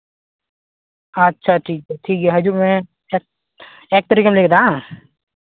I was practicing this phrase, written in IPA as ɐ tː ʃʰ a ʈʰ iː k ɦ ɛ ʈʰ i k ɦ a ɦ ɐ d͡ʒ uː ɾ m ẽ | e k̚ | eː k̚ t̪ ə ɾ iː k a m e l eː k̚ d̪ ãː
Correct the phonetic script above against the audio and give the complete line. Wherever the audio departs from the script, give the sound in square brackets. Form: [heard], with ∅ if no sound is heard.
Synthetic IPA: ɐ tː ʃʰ a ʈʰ iː k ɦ ɛ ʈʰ [iː] k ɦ [ɛ] ɦ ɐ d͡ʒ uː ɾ m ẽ | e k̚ | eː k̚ t̪ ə ɾ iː k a m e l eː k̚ d̪ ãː